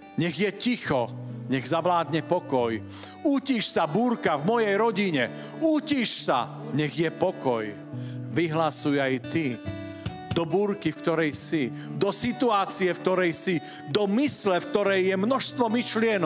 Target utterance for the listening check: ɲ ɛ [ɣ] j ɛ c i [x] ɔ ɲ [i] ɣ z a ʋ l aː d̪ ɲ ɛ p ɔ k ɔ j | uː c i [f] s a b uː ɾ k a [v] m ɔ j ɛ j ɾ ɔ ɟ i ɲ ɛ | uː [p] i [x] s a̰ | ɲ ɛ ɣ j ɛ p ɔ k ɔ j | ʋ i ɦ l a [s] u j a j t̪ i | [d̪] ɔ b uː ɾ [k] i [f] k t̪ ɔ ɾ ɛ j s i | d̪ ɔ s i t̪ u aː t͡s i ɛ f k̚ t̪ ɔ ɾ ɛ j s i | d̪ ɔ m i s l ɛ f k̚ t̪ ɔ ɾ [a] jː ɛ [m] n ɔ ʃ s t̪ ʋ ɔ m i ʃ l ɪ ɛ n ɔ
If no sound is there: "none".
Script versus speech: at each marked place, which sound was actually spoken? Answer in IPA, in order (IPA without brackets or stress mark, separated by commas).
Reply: ɣ, x, ɛ, ʃ, v, c, ʃ, s, d̪, k, f, ɛ, m